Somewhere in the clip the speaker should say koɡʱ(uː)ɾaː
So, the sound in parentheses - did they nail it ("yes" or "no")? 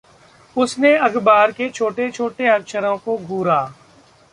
yes